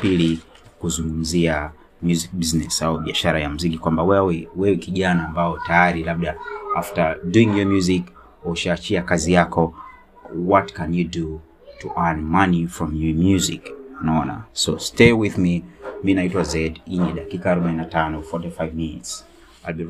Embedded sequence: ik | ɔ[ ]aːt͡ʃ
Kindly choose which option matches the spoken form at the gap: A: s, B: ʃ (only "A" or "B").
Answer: B